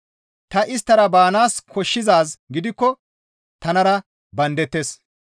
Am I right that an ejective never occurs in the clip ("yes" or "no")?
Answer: yes